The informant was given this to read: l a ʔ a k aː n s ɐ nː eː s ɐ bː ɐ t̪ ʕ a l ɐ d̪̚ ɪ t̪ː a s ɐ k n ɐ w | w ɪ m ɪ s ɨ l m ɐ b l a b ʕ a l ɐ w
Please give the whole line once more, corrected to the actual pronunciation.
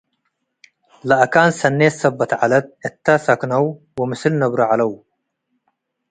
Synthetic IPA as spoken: l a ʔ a k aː n s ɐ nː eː s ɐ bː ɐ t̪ ʕ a l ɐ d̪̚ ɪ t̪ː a s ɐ k n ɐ w | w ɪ m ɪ s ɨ l n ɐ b ɾ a ʕ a l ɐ w

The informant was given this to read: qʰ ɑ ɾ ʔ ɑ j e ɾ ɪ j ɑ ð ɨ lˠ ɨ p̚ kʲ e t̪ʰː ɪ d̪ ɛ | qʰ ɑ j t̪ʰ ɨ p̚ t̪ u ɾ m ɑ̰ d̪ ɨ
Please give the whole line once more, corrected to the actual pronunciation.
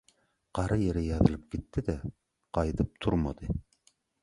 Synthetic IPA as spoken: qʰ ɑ ɾ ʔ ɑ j e ɾ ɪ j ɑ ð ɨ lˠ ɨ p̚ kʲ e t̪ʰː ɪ d̪ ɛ | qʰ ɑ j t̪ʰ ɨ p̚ t̪ʰ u ɾ m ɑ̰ d̪ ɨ

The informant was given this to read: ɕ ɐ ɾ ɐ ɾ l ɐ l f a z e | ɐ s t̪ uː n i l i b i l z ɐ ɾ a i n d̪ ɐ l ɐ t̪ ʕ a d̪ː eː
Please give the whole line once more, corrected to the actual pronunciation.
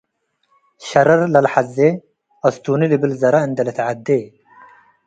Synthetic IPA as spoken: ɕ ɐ ɾ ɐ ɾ l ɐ l ħ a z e | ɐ s t̪ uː n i l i b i l z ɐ ɾ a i n d̪ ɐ l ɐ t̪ ʕ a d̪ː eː

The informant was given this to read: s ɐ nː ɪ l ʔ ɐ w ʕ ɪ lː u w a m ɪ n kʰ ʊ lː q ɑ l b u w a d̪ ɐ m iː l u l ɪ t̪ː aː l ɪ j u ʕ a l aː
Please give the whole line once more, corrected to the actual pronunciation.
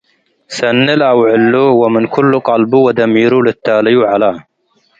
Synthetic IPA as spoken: s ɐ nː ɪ l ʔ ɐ w ʕ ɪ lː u w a m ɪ n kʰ ʊ lː q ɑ l b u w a d̪ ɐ m iː ɾ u l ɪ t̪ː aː l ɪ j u ʕ a l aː

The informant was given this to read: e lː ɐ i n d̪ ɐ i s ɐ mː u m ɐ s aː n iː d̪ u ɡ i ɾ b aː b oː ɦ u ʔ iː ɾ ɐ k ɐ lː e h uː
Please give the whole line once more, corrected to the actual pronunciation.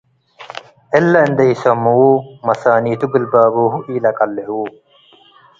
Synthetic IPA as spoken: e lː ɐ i n d̪ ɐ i s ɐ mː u m ɐ s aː n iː t̪ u ɡ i l b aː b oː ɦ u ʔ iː l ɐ k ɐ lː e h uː

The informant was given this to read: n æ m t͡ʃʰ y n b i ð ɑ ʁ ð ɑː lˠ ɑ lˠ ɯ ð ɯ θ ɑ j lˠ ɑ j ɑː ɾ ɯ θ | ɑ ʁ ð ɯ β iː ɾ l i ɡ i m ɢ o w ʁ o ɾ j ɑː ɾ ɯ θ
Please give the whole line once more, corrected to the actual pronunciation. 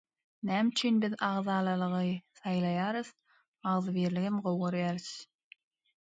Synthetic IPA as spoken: n æ m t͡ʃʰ y n b i ð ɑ ʁ ð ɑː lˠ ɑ lˠ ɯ ʁ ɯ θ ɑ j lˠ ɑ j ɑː ɾ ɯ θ | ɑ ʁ ð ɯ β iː ɾ l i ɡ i m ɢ o w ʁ o ɾ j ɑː ɾ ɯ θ

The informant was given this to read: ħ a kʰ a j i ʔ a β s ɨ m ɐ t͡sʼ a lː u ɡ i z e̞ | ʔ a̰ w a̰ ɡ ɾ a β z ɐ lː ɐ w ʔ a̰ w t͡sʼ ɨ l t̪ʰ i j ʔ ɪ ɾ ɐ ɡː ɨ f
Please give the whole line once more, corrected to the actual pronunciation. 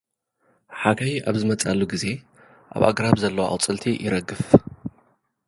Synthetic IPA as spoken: ħ a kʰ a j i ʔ a β z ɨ m ɐ t͡sʼ a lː u ɡ i z e̞ | ʔ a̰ β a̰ ɡ ɾ a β z ɐ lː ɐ w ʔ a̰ w t͡sʼ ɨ l t̪ʰ i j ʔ ɪ ɾ ɐ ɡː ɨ f

